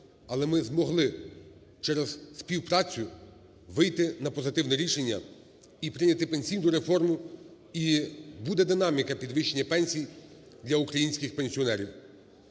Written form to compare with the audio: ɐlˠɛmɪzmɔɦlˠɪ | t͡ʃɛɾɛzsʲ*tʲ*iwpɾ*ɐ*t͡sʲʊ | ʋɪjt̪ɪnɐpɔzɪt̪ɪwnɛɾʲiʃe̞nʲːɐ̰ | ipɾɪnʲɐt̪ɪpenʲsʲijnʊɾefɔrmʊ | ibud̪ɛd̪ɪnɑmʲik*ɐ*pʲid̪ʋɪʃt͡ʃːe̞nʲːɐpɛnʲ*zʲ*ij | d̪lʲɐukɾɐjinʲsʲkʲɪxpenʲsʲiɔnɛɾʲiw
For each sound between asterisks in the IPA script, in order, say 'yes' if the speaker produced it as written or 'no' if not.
no, no, yes, no

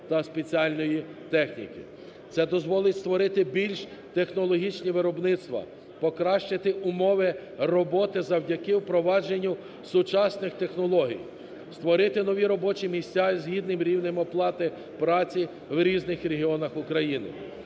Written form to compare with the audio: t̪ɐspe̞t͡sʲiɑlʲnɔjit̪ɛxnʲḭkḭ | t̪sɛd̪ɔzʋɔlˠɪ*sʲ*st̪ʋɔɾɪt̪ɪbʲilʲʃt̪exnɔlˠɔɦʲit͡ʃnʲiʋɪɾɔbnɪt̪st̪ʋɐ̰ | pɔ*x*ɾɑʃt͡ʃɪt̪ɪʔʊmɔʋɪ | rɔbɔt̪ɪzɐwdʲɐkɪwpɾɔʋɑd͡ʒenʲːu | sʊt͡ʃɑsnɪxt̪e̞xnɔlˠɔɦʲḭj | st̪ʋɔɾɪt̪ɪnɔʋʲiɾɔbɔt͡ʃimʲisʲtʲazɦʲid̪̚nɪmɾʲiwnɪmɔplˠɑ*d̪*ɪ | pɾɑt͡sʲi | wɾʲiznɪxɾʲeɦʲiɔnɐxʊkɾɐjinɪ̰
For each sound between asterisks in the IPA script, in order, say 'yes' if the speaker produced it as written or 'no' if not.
no, no, no

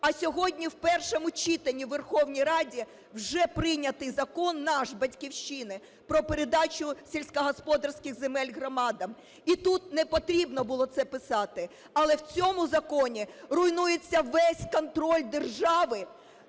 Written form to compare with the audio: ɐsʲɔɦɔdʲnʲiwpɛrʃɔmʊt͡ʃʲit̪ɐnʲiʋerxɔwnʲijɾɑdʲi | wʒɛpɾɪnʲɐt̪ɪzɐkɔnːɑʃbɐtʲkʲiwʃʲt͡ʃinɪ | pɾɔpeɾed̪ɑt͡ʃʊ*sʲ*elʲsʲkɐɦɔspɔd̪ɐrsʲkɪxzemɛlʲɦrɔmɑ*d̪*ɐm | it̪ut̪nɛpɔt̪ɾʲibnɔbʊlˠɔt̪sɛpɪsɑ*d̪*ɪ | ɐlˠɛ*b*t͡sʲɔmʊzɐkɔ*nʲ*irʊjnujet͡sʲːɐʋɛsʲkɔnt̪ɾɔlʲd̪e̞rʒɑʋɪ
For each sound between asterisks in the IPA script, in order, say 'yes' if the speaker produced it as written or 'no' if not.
yes, yes, no, no, yes

